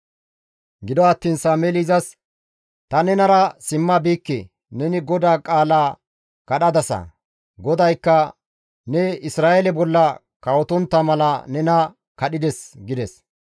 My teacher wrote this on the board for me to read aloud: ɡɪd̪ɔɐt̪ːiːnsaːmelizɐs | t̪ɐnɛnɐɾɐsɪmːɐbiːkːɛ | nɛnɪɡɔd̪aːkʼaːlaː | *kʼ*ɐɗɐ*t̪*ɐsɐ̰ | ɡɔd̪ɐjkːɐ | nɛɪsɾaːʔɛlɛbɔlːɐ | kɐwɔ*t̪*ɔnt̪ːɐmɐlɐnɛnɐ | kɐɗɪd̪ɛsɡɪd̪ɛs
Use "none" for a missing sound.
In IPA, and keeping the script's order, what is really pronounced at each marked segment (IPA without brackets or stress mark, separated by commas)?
k, d̪, t̪